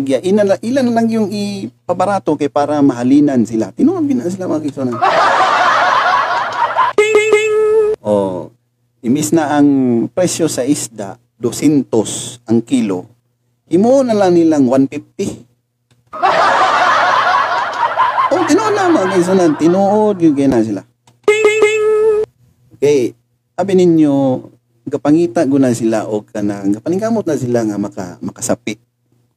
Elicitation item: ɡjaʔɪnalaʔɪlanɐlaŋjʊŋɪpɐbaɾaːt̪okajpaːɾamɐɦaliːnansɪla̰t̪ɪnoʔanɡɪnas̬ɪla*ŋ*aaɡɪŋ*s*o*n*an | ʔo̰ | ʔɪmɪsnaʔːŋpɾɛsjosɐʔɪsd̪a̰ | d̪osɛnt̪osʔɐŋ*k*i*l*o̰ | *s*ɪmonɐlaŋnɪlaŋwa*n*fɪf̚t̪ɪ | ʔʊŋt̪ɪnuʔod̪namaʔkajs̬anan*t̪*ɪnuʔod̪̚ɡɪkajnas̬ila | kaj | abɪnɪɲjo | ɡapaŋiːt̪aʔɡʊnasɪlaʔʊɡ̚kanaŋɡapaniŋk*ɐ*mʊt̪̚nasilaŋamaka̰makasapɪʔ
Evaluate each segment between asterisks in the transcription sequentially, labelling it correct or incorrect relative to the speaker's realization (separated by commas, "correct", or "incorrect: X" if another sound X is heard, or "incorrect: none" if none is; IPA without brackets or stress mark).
incorrect: m, correct, correct, correct, correct, incorrect: h, correct, correct, incorrect: a